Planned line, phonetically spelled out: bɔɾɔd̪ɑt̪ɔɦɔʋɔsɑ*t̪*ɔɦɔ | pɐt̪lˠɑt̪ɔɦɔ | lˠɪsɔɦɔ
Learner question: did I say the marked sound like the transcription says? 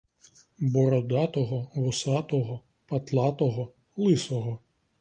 yes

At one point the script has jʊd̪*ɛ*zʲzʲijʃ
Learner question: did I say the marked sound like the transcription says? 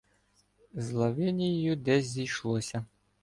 yes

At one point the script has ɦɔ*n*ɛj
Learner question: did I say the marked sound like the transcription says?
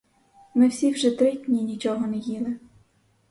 yes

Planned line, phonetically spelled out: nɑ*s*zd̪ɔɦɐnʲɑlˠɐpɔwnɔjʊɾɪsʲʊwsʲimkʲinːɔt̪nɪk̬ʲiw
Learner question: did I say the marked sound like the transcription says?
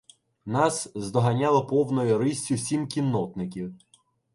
yes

